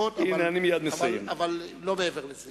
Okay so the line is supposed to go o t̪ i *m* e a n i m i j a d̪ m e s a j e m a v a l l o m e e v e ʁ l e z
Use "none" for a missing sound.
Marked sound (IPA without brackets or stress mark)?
n